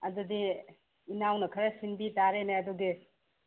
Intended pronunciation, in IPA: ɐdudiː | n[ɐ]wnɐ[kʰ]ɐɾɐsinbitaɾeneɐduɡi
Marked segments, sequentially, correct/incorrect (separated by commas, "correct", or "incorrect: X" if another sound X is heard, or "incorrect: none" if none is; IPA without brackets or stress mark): incorrect: a, correct